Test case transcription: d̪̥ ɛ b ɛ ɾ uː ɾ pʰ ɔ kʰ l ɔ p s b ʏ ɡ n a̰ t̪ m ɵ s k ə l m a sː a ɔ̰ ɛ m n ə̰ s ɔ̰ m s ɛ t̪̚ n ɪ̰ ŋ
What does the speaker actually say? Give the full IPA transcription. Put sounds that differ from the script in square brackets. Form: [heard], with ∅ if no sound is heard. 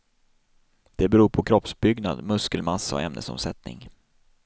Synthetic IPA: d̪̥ ɛ b ɛ ɾ uː ɾ pʰ ɔ kʰ [ɾ] ɔ p s b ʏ ɡ n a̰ [d̪] m ɵ s k ə l m a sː a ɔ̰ ɛ m n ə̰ s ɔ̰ m s ɛ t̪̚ n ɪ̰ ŋ